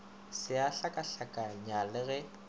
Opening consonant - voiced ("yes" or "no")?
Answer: no